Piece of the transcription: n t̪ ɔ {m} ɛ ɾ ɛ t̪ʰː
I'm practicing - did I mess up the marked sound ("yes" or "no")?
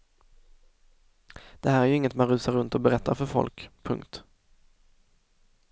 yes